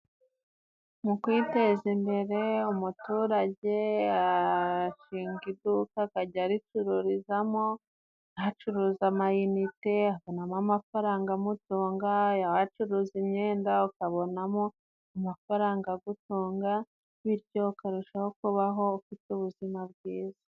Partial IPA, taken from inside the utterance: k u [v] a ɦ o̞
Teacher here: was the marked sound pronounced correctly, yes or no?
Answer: no